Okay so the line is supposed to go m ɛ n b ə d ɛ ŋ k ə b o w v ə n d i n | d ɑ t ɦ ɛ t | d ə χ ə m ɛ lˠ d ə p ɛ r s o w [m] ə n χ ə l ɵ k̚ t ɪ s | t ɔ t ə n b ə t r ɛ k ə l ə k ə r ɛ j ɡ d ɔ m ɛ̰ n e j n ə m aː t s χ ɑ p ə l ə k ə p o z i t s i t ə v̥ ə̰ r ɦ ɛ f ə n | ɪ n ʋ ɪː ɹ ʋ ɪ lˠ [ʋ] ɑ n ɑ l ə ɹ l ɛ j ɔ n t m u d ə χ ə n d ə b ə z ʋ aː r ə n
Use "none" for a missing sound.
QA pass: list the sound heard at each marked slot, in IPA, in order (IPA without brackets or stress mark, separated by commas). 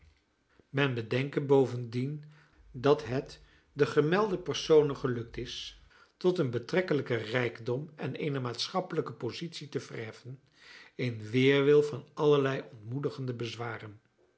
n, v